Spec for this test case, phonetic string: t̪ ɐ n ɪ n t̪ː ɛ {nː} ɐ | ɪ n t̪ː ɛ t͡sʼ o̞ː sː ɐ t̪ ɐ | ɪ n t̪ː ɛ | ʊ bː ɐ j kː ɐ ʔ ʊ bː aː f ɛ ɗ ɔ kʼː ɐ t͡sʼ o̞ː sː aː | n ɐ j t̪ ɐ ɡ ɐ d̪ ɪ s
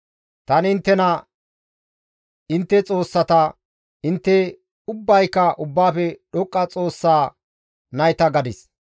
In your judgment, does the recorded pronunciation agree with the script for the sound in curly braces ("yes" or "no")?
no